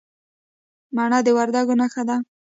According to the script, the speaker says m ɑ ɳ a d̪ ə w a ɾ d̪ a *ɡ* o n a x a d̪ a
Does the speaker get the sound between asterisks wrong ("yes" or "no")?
no